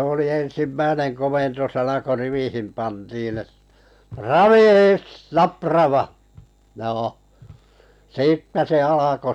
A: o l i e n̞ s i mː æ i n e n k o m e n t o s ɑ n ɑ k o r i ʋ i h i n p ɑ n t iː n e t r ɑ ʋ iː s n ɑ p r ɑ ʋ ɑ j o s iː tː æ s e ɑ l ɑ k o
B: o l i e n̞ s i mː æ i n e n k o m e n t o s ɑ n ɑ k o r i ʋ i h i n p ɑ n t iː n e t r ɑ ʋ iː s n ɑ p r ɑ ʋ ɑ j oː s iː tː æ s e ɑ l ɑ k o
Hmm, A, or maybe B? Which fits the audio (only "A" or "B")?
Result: B